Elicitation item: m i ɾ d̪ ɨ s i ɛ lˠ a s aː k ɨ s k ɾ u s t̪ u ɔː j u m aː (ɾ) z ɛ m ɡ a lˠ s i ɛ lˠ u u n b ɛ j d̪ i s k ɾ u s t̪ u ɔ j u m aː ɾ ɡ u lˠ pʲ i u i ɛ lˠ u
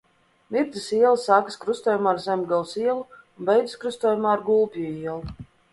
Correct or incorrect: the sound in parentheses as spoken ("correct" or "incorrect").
correct